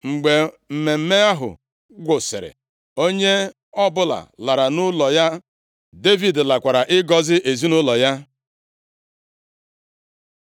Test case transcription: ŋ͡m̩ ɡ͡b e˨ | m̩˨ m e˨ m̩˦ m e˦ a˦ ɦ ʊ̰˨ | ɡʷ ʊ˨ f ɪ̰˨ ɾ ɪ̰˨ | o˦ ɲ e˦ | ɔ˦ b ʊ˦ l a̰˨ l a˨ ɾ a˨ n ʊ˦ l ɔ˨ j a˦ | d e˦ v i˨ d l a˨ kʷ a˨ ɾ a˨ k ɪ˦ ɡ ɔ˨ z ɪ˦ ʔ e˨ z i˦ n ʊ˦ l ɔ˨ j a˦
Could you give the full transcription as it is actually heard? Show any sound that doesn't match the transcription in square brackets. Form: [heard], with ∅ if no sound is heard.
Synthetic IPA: ŋ͡m̩ ɡ͡b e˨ | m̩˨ m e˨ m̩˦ m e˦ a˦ ɦ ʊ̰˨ | ɡʷ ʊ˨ [s] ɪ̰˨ ɾ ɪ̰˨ | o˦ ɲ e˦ | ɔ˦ b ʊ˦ l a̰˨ l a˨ ɾ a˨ n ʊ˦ l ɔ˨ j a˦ | d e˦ v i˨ d l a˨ kʷ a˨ ɾ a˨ [ʔ] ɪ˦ ɡ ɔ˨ z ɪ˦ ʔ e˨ z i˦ n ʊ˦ l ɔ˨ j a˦